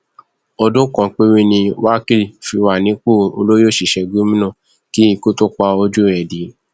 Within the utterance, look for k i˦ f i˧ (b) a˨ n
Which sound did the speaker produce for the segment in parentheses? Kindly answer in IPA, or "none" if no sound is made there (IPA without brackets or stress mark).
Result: w